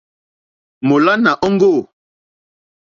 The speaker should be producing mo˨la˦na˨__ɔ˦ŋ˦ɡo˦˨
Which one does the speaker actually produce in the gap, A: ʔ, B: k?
A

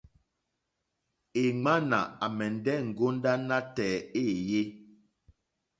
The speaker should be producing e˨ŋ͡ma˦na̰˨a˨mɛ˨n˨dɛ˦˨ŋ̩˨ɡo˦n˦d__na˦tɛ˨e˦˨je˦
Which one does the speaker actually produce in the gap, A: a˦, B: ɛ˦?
A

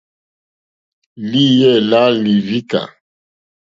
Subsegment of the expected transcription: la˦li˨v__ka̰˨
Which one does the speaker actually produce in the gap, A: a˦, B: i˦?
B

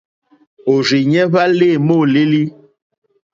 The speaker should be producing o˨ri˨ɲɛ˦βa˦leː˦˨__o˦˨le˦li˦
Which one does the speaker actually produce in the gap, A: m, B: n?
A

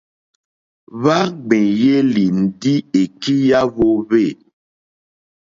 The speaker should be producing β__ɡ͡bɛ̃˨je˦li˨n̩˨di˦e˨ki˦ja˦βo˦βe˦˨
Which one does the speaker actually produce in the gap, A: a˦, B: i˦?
A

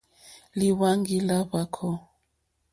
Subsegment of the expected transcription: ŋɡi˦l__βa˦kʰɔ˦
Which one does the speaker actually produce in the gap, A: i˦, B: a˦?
B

